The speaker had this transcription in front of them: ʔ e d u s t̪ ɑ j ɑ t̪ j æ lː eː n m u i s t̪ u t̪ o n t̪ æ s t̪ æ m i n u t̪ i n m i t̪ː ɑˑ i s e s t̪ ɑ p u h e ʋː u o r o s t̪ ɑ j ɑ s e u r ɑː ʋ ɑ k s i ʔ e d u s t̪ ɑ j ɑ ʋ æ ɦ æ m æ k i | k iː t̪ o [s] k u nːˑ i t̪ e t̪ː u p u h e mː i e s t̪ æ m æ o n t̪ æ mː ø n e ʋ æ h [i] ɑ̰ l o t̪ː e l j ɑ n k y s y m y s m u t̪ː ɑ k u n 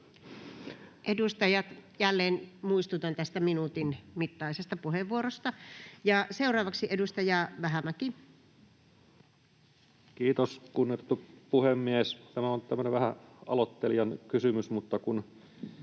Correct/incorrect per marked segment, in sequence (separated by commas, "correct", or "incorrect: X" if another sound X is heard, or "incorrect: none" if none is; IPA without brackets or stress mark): correct, incorrect: æ